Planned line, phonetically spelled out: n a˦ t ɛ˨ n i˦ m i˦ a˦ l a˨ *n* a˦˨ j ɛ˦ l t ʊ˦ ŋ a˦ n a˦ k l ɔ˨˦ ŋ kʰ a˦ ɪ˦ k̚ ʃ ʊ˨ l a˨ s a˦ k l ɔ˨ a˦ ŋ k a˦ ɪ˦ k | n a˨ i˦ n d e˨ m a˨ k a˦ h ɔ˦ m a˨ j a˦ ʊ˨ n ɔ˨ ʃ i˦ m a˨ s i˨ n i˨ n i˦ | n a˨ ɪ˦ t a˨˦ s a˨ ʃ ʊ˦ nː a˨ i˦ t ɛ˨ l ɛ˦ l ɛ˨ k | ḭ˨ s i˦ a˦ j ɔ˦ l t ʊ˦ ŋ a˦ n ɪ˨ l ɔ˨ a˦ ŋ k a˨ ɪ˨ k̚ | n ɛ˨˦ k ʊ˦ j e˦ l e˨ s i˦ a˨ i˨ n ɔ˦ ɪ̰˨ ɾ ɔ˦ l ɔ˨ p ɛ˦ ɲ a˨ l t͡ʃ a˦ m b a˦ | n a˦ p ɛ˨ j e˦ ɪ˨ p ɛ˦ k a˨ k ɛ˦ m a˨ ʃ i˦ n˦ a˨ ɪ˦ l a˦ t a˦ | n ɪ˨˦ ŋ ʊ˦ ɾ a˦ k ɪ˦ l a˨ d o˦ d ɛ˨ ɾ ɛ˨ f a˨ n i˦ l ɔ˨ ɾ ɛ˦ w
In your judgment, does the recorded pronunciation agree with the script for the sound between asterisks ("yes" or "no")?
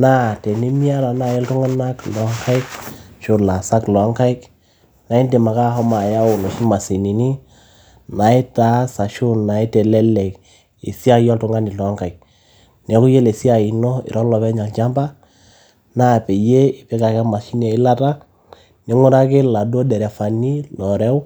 yes